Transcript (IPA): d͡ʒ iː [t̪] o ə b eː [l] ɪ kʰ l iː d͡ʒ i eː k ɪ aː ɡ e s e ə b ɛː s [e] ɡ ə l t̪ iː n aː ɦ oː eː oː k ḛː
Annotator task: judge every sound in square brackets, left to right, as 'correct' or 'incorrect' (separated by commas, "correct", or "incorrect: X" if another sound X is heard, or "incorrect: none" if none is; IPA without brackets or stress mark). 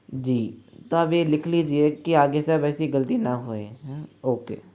correct, correct, incorrect: i